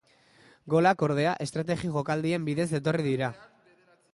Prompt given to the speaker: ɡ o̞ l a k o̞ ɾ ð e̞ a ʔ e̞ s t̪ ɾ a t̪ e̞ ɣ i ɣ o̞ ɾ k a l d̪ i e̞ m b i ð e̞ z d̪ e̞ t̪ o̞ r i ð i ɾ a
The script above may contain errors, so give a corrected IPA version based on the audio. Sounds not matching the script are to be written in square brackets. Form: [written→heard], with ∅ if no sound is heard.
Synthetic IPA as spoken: ɡ o̞ l a k o̞ ɾ ð e̞ a ʔ e̞ s t̪ ɾ a t̪ e̞ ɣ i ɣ o̞ [ɾ→∅] k a l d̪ i e̞ m b i ð e̞ z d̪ e̞ t̪ o̞ r i ð i ɾ a